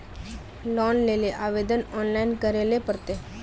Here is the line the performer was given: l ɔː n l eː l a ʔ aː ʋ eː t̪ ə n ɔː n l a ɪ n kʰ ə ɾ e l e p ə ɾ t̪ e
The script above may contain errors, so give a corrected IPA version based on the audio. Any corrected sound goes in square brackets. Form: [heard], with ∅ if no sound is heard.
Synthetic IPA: l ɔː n l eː l [e] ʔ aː ʋ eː [d̪] ə n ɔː n l a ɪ n [k] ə ɾ e l e p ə ɾ t̪ e